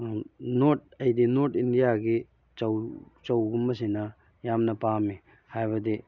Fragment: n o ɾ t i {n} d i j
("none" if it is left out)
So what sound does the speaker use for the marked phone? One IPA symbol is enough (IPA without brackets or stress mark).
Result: n